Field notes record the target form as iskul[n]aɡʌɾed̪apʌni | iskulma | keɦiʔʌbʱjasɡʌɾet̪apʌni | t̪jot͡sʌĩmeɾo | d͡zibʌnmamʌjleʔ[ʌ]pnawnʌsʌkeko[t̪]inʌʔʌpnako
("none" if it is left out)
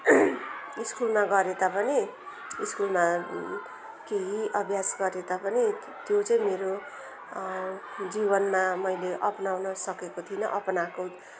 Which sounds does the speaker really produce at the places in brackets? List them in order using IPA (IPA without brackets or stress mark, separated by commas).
m, ʌ, t̪ʰ